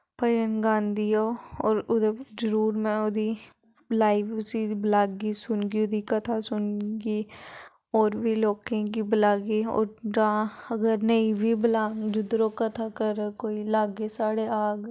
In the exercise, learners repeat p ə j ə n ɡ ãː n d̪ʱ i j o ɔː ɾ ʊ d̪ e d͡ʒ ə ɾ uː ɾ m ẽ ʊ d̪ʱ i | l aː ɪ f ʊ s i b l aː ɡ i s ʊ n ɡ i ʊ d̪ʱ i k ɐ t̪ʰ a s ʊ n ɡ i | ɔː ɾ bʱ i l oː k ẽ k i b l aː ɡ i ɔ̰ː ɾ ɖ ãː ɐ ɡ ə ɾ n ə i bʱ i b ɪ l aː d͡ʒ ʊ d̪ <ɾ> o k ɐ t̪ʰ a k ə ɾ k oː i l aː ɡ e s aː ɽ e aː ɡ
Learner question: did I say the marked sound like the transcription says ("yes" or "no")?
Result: yes